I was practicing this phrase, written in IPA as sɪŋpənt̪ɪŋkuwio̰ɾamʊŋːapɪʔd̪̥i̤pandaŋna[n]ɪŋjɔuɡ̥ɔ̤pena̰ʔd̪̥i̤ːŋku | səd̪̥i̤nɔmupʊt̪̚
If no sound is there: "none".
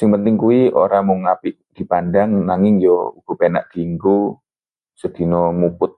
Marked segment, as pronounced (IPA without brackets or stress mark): ŋ